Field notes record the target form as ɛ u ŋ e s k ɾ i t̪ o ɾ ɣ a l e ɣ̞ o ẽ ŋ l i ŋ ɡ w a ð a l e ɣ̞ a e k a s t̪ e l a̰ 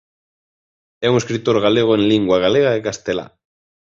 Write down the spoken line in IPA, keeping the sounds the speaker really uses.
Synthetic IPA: ɛ u ŋ e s k ɾ i t̪ o ɾ ɣ a l e ɣ̞ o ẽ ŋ l i ŋ ɡ w a ɣ a l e ɣ̞ a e k a s t̪ e l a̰